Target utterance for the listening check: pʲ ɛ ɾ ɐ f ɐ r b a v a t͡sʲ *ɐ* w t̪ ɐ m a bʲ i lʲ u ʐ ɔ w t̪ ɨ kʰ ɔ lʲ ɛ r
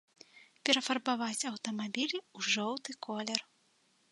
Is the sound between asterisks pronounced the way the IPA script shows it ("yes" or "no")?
yes